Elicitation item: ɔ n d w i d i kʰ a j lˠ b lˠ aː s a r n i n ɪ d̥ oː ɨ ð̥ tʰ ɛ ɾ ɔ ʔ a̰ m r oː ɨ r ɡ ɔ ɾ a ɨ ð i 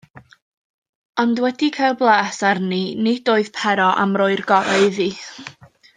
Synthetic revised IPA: ɔ n d w ɛ d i kʰ a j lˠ b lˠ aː s a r n i n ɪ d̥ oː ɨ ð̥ pʰ ɛ ɾ ɔ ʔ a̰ m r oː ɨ r ɡ ɔ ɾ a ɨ ð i